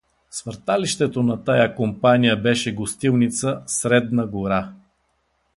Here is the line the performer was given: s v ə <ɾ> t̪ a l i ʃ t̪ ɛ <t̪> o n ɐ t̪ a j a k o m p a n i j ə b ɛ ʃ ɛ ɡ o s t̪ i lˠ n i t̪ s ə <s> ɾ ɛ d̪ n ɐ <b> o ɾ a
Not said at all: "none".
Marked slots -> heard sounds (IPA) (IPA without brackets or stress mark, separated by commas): ɾ, t̪, s, ɡ